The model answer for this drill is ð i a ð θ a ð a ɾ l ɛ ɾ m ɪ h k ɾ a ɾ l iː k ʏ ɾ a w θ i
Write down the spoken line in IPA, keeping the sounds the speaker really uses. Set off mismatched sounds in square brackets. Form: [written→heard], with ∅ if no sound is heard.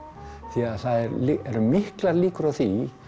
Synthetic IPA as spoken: [ð→θ] i a ð θ a ð [a→ɛ] ɾ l ɛ ɾ m ɪ h k [ɾ→l] a ɾ l iː k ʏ ɾ a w θ i